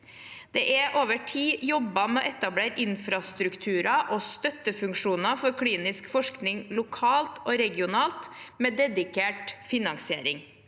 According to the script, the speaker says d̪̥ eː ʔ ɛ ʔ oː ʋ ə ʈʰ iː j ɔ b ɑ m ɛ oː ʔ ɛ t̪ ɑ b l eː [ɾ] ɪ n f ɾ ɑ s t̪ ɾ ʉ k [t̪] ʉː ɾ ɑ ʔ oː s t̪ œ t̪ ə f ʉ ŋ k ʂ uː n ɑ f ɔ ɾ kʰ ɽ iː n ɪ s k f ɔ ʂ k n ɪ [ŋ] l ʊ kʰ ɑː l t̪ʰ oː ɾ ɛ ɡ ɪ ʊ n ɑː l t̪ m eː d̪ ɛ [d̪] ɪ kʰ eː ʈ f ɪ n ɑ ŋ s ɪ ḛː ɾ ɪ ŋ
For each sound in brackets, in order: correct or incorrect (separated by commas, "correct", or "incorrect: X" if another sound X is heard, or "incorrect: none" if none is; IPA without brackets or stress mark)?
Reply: correct, incorrect: t̪ʰ, correct, correct